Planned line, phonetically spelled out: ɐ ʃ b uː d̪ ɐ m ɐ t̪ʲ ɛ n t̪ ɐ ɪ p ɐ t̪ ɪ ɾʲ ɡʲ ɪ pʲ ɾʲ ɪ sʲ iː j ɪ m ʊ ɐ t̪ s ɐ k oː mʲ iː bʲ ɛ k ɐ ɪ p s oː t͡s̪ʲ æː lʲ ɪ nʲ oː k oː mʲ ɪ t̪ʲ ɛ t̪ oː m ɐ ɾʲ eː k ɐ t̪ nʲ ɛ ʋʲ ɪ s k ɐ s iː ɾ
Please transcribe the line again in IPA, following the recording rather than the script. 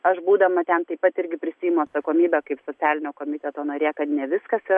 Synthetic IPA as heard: ɐ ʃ b uː d̪ ɐ m ɐ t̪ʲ ɛ n t̪ ɐ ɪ p ɐ t̪ ɪ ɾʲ ɡʲ ɪ pʲ ɾʲ ɪ sʲ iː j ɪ m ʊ ɐ t̪ s ɐ k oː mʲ iː bʲ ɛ k ɐ ɪ p s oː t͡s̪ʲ æː lʲ ɪ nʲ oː k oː mʲ ɪ t̪ʲ ɛ t̪ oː n ɐ ɾʲ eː k ɐ t̪ nʲ ɛ ʋʲ ɪ s k ɐ s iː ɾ